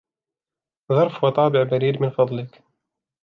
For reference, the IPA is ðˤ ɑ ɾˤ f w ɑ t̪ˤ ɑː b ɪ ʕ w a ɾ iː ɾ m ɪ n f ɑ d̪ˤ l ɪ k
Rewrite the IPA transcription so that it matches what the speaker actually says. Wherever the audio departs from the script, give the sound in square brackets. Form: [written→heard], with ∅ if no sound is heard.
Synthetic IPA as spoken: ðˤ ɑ ɾˤ f w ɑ t̪ˤ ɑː b ɪ ʕ [w→b] a ɾ iː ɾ m ɪ n f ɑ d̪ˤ l ɪ k